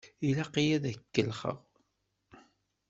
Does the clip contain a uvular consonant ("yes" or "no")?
yes